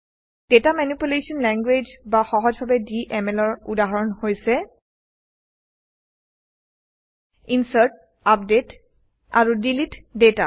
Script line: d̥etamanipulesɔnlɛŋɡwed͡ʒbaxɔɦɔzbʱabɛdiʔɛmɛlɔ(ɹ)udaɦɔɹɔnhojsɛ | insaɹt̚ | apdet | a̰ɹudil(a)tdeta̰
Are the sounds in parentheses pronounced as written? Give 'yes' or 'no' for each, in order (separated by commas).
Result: yes, no